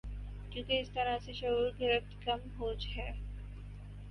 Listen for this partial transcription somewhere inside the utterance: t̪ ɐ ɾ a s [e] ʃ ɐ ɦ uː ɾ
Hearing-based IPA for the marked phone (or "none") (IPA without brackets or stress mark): e